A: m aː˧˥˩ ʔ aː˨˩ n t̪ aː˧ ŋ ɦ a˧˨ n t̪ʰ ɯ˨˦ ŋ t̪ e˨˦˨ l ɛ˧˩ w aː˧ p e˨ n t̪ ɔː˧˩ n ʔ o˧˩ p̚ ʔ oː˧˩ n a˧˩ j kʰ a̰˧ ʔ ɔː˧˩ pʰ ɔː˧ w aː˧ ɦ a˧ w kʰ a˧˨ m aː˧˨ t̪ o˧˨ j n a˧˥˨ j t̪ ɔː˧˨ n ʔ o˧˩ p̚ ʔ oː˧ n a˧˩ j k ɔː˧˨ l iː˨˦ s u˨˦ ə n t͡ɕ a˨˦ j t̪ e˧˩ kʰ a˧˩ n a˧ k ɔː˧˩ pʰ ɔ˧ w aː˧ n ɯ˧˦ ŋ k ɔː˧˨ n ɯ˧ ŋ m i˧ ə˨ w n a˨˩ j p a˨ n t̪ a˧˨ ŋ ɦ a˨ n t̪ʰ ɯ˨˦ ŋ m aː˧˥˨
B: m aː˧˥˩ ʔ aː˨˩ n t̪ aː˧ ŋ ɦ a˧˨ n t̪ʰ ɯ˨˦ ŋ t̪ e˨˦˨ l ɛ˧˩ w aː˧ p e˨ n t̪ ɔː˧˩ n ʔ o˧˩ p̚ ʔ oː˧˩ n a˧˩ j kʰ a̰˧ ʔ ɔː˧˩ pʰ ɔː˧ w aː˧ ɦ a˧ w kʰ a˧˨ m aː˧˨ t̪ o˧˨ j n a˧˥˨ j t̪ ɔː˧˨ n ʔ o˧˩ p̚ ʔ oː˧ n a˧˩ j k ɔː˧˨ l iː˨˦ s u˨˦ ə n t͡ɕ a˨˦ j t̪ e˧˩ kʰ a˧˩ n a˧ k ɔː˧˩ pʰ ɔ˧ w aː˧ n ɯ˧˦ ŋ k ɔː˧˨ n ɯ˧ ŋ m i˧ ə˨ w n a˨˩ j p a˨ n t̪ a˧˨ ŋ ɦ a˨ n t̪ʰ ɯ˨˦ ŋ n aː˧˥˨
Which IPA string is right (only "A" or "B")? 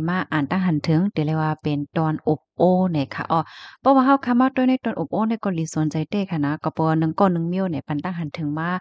A